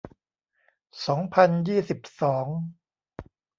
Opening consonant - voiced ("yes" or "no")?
no